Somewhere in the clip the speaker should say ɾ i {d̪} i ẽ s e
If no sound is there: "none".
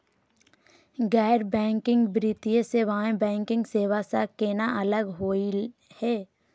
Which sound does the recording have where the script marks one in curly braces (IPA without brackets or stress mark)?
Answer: t̪